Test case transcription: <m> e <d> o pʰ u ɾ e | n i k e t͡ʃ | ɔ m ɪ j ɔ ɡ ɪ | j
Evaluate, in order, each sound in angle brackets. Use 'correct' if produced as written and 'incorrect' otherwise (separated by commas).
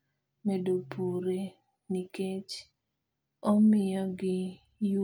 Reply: correct, correct